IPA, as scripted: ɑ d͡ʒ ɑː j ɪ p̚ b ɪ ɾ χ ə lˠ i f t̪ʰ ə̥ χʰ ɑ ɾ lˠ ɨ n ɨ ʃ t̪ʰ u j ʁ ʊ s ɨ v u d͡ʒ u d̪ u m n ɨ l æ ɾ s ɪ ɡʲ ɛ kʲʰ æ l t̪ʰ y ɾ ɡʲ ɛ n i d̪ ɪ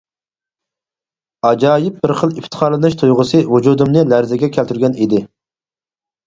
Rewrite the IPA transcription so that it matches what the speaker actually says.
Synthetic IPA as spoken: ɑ d͡ʒ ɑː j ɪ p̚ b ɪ ɾ χ ə lˠ i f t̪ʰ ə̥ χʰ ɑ ɾ lˠ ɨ n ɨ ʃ t̪ʰ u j ʁ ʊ s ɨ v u d͡ʒ u d̪ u m n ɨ l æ ɾ z ɪ ɡʲ ɛ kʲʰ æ l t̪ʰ y ɾ ɡʲ ɛ n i d̪ ɪ